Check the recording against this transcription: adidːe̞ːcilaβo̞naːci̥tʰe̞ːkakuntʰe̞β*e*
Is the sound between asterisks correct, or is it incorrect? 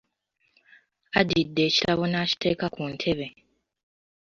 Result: correct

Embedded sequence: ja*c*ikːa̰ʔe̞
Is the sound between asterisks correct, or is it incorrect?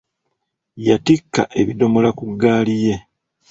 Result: incorrect: t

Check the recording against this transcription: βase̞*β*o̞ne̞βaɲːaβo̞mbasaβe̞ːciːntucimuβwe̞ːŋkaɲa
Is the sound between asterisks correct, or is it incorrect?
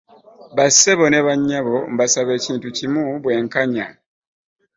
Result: correct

